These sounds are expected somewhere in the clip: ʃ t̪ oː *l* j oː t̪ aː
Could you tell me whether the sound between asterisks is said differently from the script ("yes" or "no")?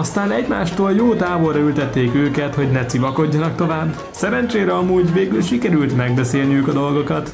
no